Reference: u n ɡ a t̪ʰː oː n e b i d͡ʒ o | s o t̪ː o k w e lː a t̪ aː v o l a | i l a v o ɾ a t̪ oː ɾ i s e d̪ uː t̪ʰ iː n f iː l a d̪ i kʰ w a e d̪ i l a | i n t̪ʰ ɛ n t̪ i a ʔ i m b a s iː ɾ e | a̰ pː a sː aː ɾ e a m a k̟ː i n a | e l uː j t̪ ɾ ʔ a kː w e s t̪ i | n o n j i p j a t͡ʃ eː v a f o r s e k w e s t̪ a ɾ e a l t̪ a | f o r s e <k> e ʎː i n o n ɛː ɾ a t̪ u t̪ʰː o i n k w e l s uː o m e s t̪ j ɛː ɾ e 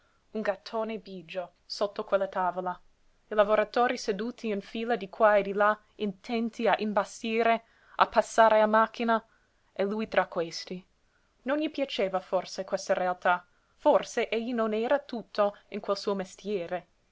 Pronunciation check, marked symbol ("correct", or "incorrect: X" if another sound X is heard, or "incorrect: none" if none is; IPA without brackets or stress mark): incorrect: ʔ